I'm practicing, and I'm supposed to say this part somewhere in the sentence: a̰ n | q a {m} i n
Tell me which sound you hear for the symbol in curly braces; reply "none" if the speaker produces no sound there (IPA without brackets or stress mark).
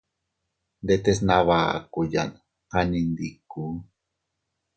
n